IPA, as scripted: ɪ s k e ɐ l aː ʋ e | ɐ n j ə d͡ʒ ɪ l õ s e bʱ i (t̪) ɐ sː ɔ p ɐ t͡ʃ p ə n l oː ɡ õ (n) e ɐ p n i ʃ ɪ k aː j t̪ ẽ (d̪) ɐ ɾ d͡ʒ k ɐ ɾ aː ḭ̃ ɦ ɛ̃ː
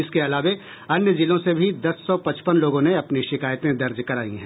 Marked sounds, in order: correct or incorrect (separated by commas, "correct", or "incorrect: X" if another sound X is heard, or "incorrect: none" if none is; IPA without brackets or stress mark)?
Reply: incorrect: d̪, correct, correct